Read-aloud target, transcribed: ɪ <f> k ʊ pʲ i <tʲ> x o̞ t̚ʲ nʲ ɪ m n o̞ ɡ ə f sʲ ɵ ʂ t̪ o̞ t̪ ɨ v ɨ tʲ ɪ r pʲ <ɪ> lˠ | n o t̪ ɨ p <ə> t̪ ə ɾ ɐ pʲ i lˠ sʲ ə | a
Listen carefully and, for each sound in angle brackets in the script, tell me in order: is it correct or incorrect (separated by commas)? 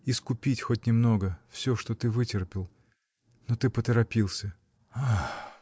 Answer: incorrect, correct, correct, correct